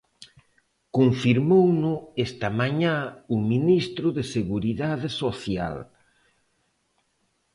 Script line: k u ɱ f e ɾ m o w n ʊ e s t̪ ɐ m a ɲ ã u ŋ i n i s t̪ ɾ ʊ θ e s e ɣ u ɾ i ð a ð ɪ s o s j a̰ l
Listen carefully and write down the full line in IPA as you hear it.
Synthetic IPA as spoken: k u ɱ f i ɾ m o w n ʊ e s t̪ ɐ m a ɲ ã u m i n i s t̪ ɾ ʊ ð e s e ɣ u ɾ i ð a ð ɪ s o θ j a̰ l